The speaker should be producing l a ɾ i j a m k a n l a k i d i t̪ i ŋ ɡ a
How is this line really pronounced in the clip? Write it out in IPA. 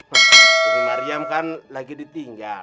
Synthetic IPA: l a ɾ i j a m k a n l a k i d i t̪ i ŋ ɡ a